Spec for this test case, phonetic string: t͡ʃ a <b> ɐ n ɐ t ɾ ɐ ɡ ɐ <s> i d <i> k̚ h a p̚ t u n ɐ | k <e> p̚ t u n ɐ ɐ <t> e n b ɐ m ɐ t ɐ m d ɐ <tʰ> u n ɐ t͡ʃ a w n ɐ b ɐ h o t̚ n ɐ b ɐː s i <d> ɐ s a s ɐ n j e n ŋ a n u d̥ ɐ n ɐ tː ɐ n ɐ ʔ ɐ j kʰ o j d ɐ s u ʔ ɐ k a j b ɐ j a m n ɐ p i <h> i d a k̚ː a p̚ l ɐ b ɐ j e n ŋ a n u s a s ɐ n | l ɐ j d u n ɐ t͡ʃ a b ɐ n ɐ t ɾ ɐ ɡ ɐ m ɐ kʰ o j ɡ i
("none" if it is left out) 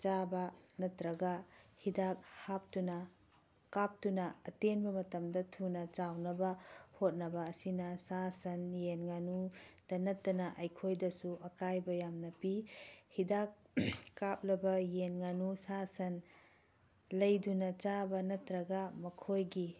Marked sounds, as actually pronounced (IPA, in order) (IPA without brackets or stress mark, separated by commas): b, h, a, a, t, tʰ, n, h